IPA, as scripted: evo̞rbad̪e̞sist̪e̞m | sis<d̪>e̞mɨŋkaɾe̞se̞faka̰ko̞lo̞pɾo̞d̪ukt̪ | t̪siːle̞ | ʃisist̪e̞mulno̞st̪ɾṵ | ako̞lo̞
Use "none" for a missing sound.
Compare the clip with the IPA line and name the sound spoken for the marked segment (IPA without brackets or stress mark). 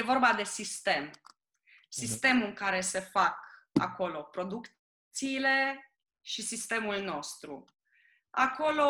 t̪